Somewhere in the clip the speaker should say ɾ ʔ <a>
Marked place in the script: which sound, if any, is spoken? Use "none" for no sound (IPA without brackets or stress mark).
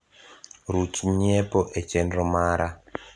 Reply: a